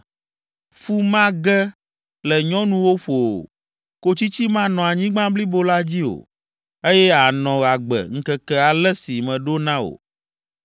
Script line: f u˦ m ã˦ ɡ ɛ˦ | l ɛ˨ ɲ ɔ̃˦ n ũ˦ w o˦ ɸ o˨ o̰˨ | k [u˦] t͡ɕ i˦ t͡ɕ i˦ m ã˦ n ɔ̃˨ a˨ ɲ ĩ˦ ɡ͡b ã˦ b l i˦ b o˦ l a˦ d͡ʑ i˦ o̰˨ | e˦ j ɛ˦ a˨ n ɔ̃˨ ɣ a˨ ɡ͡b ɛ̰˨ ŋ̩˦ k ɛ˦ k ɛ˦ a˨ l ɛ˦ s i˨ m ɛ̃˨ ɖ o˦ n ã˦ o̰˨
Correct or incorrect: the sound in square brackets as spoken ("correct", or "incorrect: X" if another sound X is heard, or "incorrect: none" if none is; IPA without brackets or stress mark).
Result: incorrect: o˦